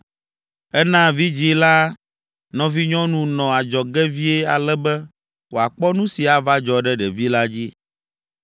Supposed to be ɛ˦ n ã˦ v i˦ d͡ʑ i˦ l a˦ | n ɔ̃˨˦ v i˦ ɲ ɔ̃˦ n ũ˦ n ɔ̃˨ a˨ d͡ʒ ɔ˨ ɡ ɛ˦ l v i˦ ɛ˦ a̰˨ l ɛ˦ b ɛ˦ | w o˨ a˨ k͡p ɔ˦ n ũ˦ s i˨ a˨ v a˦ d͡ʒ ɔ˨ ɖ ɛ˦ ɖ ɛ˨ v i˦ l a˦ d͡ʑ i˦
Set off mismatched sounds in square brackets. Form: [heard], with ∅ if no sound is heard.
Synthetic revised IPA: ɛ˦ n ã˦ v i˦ d͡ʑ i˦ l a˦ | n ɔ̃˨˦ v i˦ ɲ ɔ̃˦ n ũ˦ n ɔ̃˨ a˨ d͡ʒ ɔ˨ ɡ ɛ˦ [∅] v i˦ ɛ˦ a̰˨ l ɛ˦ b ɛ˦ | w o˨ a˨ k͡p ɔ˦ n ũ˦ s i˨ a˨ v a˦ d͡ʒ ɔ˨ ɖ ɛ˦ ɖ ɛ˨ v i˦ l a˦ d͡ʑ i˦